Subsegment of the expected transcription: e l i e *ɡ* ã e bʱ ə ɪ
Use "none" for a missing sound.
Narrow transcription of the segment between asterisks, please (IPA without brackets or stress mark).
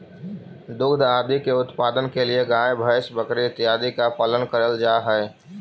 ɡ